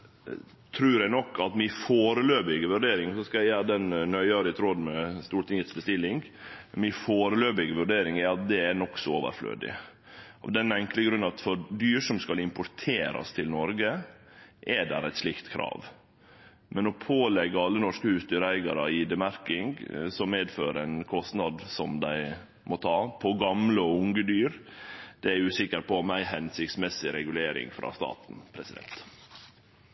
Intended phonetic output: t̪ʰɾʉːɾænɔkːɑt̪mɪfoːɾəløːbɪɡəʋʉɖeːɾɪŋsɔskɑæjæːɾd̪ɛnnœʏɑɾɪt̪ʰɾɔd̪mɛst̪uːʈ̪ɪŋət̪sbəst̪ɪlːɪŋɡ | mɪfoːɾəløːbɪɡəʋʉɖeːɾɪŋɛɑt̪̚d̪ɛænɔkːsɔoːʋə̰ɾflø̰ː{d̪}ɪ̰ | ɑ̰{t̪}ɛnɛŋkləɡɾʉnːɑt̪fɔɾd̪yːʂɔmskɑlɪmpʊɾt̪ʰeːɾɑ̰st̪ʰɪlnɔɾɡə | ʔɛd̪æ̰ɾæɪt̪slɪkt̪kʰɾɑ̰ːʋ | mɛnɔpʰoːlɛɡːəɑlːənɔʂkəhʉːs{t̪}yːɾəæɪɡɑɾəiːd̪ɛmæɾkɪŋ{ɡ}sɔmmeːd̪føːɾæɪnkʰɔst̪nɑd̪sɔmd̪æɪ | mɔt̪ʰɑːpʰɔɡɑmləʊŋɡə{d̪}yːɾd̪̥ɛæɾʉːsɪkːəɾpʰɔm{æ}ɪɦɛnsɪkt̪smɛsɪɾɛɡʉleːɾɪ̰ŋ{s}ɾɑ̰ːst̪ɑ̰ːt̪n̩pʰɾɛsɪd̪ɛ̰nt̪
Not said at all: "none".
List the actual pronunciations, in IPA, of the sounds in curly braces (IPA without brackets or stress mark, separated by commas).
d̪, d̪, d̪, ɡ, d̪, æ, f